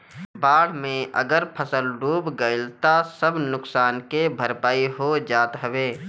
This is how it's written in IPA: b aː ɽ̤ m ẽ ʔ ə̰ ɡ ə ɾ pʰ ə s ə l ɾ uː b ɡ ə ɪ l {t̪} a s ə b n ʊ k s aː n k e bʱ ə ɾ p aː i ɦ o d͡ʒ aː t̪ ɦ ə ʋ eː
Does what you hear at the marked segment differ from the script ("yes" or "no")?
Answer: no